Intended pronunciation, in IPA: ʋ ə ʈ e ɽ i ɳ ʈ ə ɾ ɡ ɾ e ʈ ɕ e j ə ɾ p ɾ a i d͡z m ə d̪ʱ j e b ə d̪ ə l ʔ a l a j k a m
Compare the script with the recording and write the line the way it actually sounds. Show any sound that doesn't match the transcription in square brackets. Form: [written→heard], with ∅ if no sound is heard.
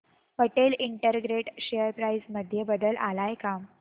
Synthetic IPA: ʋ ə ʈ e [ɽ→l] i ɳ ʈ ə ɾ ɡ ɾ e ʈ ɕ e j ə ɾ p ɾ a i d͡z m ə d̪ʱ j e b ə d̪ ə l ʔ a l a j k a m